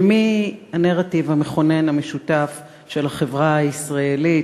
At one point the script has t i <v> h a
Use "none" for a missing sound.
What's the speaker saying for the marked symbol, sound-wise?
v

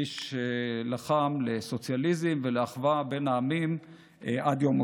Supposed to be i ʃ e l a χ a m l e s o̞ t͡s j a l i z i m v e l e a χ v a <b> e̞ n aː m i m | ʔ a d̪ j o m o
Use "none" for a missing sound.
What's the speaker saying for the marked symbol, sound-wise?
b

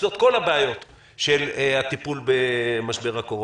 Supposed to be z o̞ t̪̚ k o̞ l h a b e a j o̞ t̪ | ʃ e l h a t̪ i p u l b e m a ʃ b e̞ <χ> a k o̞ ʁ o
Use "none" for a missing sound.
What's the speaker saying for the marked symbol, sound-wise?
ʁ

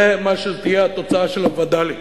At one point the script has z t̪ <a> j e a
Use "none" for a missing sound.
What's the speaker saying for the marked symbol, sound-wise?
i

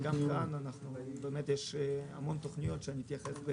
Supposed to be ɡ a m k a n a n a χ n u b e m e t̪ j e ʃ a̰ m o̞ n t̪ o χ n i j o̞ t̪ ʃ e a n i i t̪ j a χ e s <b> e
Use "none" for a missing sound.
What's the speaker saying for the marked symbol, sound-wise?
b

